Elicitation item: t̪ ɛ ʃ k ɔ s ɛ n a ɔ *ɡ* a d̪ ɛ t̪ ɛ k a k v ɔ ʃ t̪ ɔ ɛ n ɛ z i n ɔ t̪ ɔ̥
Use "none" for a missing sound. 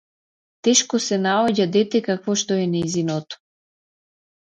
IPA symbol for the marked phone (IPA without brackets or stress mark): ɟ